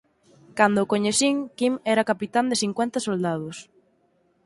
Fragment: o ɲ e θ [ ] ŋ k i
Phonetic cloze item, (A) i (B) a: A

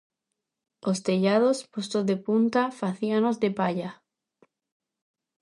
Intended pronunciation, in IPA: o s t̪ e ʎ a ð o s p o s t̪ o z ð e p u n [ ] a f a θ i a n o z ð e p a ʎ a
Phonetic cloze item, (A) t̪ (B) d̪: A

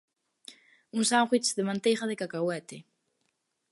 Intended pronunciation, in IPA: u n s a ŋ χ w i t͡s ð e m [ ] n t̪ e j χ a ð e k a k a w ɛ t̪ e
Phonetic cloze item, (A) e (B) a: B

